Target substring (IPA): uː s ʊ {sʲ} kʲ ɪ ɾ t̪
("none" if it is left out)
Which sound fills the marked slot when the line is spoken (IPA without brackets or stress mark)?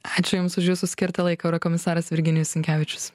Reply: sʲ